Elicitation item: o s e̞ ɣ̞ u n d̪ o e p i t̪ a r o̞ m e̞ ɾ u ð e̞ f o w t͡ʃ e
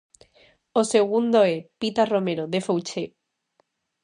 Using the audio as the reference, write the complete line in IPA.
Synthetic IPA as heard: o s e̞ ɣ̞ u n d̪ o e p i t̪ a r o̞ m e̞ ɾ o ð e̞ f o w t͡ʃ e